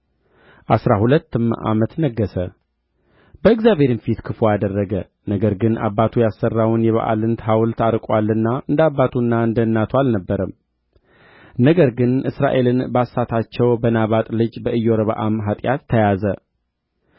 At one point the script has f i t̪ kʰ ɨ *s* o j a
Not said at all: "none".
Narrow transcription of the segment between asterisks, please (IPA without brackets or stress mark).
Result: f